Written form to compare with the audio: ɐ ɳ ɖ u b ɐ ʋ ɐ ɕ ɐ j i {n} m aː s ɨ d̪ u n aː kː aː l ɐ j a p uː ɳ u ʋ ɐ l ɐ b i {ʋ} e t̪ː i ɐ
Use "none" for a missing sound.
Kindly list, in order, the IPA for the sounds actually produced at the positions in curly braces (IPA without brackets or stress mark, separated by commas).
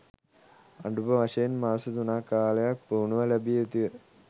n, none